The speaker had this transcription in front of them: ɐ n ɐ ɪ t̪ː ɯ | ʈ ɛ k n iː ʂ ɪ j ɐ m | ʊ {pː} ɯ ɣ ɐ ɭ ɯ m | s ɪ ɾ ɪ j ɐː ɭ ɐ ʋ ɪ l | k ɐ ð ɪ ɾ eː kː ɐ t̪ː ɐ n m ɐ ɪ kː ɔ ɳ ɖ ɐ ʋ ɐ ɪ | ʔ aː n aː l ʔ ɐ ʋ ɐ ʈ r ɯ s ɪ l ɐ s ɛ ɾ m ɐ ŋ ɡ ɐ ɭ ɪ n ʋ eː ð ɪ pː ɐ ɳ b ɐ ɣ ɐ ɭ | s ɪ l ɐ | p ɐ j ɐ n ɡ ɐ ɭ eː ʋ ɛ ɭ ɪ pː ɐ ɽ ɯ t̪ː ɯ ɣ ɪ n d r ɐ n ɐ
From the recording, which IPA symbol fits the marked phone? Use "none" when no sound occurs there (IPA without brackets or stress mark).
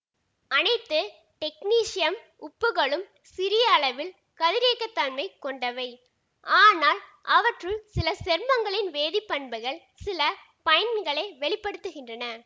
pː